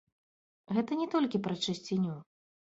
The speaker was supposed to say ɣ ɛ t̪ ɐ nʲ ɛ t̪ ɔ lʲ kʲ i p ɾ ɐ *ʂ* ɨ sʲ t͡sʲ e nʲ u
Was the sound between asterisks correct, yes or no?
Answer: no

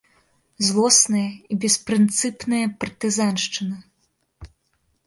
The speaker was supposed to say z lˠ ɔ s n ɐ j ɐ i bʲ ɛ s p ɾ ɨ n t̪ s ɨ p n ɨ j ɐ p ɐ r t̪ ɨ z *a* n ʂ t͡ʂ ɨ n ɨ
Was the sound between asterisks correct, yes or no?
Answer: yes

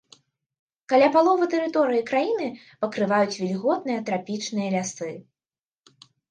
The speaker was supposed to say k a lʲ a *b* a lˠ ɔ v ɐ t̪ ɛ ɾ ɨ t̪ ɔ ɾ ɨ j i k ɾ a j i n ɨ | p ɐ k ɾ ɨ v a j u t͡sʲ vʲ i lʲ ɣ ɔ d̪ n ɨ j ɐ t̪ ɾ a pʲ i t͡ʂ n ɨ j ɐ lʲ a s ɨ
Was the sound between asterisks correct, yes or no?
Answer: no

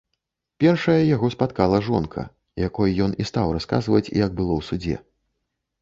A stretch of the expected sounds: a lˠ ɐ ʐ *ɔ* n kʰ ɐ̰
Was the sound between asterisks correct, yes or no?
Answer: yes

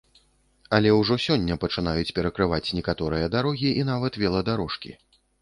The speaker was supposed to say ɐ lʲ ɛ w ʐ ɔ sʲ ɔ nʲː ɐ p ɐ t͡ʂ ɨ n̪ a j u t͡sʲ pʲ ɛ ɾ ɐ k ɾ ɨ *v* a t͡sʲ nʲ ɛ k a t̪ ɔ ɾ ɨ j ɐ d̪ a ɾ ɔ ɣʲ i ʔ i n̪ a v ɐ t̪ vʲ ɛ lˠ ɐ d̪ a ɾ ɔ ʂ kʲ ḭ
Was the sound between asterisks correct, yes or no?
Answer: yes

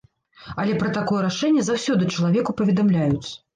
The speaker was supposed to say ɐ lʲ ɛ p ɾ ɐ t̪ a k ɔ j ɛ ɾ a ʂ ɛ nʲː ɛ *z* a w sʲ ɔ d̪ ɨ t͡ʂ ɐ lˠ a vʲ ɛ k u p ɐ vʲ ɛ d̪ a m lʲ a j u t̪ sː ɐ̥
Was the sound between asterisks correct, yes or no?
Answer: yes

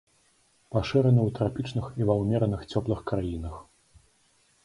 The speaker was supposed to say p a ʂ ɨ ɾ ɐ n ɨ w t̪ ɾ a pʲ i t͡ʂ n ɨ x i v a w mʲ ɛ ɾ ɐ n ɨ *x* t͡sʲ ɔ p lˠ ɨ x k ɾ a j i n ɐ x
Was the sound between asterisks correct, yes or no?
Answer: yes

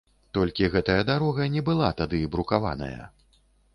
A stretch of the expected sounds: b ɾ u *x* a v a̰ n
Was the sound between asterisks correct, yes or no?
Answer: no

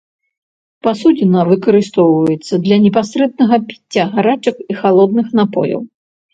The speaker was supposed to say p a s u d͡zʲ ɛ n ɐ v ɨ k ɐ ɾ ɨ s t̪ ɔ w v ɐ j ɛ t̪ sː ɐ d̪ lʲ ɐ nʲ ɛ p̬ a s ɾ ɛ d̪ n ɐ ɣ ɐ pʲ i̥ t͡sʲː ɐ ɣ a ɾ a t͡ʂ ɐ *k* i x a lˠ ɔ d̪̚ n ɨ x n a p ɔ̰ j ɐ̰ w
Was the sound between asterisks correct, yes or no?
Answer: yes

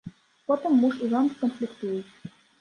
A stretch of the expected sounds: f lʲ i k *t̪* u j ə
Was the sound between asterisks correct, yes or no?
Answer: yes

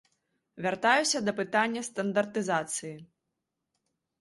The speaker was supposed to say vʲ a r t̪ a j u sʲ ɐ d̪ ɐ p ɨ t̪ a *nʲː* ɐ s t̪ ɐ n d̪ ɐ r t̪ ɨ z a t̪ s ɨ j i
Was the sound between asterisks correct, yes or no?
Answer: yes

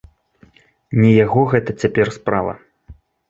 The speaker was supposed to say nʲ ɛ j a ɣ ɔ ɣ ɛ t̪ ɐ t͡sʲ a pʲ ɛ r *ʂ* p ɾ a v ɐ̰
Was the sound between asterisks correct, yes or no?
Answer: no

